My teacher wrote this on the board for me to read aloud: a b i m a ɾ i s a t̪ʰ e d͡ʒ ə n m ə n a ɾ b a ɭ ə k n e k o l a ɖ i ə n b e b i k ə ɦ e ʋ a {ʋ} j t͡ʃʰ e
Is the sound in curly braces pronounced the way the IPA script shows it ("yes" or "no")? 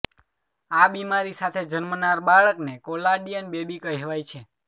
no